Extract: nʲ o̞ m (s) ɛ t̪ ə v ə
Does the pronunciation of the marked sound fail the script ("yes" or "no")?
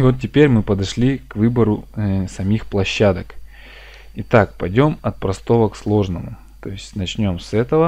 no